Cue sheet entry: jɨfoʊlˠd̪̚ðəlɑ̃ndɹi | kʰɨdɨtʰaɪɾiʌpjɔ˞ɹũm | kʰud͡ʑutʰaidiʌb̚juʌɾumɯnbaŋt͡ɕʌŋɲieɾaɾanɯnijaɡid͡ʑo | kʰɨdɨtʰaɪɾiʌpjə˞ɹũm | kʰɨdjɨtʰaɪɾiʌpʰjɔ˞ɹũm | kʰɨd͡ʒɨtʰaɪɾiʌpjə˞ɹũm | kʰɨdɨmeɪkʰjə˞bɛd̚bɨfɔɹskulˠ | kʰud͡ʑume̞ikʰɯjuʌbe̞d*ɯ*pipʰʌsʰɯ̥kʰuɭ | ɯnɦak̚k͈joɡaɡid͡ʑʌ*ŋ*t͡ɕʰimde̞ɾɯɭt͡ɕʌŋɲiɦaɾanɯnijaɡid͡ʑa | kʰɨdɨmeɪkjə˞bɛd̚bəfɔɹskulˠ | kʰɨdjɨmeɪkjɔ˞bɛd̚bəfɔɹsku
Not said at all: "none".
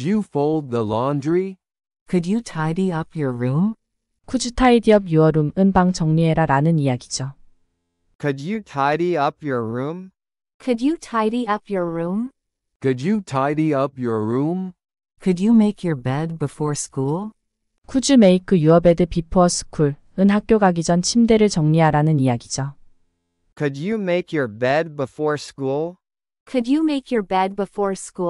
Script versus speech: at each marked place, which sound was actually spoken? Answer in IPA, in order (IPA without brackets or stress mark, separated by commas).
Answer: ɯ, n